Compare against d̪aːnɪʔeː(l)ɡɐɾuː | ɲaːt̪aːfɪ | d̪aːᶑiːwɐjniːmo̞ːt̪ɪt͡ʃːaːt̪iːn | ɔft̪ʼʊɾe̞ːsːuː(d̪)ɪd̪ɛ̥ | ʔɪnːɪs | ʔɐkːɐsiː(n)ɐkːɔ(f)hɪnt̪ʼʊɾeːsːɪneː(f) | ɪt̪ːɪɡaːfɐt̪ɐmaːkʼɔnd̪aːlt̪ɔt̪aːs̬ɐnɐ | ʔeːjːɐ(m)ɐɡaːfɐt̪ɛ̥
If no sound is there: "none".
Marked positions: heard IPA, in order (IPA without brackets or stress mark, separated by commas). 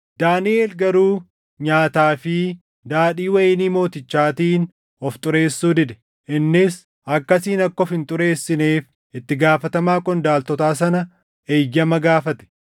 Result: l, d̪, n, f, f, m